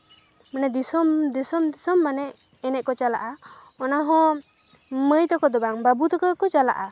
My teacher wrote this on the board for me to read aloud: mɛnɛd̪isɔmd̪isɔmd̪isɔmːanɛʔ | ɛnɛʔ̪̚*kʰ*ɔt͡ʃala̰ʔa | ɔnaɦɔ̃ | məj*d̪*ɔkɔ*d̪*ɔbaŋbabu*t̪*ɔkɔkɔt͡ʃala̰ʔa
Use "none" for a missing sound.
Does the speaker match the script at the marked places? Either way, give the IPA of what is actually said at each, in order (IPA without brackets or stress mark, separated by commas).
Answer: k, t̪, d̪, t̪